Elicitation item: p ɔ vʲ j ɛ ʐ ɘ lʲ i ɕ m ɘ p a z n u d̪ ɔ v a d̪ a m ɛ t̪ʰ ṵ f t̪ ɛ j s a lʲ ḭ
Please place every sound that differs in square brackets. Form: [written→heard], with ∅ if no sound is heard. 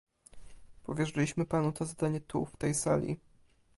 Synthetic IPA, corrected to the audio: p ɔ vʲ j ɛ ʐ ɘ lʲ i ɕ m ɘ p a [z→∅] n u [d̪→t̪] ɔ [v→z] a d̪ a [m→ɲ] ɛ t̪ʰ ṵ f t̪ ɛ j s a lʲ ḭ